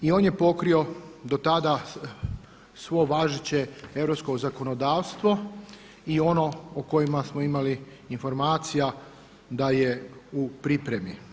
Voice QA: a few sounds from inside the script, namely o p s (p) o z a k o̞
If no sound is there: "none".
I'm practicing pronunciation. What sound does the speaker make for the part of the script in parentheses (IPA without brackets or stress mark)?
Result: k